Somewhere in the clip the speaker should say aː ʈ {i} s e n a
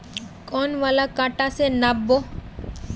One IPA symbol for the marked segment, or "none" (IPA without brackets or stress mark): a